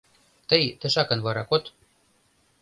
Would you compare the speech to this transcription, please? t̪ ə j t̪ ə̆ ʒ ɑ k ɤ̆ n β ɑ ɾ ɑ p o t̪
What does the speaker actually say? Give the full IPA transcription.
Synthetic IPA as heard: t̪ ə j t̪ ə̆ ʃ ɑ k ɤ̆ n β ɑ ɾ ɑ k o t̪